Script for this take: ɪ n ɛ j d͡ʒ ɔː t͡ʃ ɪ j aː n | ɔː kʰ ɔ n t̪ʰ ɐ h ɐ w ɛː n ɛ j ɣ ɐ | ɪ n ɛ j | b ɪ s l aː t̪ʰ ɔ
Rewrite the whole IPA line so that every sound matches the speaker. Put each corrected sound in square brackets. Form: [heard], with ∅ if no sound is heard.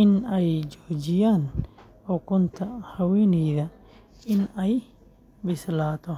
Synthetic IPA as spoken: ɪ n ɛ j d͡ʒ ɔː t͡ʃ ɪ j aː n | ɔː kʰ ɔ n t̪ʰ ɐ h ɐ w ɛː n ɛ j [ð] ɐ | ɪ n ɛ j | b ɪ s l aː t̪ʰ ɔ

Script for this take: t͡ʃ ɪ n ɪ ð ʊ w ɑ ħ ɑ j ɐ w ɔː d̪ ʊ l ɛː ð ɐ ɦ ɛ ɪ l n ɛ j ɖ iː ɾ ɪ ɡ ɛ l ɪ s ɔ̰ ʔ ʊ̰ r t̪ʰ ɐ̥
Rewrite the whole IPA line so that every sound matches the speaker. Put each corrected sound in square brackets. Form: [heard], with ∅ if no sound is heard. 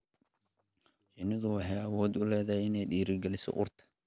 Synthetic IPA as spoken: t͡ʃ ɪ n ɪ ð ʊ w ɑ ħ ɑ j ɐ w ɔː d̪ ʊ l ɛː ð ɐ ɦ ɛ ɪ [∅] n ɛ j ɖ iː ɾ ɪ ɡ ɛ l ɪ s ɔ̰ ʔ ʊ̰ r t̪ʰ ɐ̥

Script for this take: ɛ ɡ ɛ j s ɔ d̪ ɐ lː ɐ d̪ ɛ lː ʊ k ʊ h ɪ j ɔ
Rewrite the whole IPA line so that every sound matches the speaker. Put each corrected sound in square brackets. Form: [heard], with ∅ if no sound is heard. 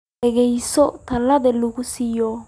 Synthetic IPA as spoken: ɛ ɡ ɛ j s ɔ [t̪] ɐ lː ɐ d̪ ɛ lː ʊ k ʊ [s] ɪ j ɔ

